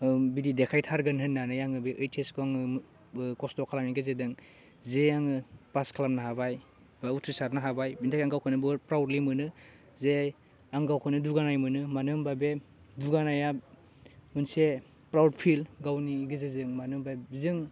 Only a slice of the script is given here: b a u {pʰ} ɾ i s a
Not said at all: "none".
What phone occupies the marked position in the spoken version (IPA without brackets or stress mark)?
tʰ